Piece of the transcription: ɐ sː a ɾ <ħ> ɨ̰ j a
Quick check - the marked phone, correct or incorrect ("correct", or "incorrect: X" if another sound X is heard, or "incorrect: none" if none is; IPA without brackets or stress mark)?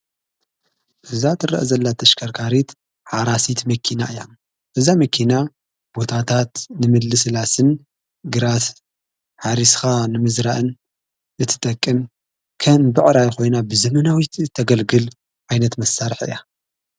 correct